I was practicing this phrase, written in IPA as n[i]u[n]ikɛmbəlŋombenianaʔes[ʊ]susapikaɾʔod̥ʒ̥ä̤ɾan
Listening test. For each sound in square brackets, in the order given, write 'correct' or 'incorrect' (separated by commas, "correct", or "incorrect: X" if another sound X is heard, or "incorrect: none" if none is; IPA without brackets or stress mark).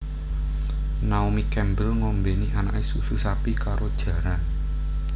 incorrect: a, incorrect: m, incorrect: u